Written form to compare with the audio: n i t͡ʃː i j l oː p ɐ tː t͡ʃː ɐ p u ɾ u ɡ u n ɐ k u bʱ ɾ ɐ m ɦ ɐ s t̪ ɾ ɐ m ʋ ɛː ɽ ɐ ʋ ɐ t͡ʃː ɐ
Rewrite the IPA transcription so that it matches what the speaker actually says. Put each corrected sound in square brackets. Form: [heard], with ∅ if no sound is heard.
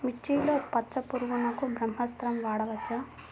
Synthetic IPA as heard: [m] i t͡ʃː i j l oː p ɐ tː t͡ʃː ɐ p u ɾ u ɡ u n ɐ k u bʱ ɾ ɐ m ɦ ɐ s t̪ ɾ ɐ m ʋ [aː] ɽ ɐ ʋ ɐ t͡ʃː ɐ